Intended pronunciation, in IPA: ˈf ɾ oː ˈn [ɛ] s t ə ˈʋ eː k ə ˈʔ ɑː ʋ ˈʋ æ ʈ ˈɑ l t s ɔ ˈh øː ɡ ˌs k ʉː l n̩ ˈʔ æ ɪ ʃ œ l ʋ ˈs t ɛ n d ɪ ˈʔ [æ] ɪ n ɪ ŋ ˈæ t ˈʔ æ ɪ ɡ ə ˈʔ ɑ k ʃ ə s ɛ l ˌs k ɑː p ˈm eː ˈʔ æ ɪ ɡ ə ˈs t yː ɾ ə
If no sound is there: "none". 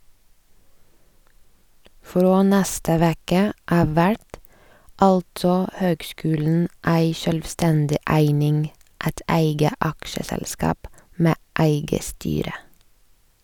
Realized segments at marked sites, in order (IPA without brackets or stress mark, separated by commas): æ, æ